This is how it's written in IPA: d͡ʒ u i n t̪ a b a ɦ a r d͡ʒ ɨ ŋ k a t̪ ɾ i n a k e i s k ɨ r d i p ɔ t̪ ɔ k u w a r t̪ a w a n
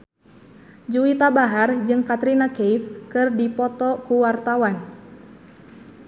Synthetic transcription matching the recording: d͡ʒ u i t̪ a b a ɦ a r d͡ʒ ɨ ŋ k a t̪ ɾ i n a k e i f k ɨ r d i p ɔ t̪ ɔ k u w a r t̪ a w a n